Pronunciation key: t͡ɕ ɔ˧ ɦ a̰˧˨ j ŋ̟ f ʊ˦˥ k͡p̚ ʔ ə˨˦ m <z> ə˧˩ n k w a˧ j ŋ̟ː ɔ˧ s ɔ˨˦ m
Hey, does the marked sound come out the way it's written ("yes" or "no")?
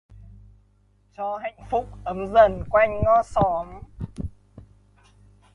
yes